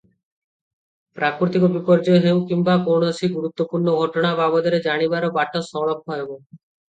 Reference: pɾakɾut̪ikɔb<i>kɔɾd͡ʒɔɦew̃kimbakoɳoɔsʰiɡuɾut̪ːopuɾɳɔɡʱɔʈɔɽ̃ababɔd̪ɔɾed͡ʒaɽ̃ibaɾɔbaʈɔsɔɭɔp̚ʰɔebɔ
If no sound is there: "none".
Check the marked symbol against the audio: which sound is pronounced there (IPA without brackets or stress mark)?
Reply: i